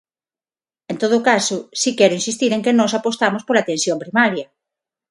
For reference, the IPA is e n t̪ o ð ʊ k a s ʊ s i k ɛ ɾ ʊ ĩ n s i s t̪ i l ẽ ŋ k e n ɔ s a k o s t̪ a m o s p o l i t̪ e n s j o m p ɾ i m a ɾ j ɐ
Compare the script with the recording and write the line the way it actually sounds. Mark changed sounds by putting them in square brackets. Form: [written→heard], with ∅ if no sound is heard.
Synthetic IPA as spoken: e n t̪ o ð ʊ k a s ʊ s i k ɛ ɾ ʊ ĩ n s i s t̪ i [l→ɾ] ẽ ŋ k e n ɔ s a [k→p] o s t̪ a m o s p o l [i→a] t̪ e n s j o m p ɾ i m a ɾ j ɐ